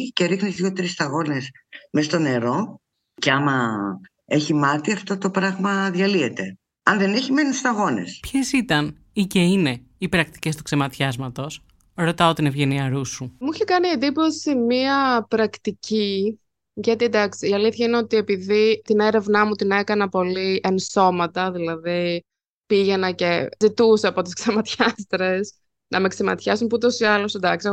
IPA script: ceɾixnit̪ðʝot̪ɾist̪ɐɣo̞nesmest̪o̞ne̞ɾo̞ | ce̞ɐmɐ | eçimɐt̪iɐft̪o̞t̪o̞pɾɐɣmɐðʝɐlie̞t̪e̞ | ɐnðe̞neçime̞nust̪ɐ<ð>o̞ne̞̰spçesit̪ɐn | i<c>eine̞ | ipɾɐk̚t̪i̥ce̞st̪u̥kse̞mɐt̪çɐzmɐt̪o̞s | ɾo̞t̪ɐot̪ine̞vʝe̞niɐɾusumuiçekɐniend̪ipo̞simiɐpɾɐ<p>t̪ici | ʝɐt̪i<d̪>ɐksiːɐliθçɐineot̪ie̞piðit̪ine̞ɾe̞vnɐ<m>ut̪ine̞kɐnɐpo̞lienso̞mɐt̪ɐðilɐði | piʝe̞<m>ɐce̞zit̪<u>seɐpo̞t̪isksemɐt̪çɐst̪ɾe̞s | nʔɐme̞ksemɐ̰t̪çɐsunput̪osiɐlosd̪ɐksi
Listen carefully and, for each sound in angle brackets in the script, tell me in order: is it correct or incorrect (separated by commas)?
incorrect, correct, incorrect, correct, correct, incorrect, correct